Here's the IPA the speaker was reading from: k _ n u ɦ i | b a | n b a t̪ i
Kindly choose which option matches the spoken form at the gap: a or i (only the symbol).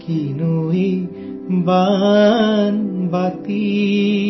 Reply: i